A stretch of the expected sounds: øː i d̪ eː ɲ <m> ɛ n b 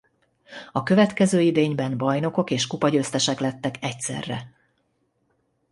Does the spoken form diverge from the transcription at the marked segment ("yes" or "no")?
yes